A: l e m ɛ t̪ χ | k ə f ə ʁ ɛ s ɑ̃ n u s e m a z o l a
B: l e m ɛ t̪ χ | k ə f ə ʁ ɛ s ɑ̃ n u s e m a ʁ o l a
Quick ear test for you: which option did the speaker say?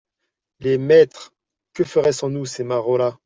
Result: B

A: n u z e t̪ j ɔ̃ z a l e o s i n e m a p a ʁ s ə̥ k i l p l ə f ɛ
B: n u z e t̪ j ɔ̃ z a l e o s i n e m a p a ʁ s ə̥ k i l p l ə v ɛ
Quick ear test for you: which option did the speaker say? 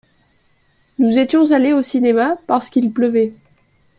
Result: B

